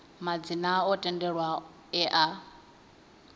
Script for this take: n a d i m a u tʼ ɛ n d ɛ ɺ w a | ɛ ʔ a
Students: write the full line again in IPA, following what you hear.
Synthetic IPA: m a d͡z i n a ɔ tʼ ɛ n d ɛ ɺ w a | ɛ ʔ a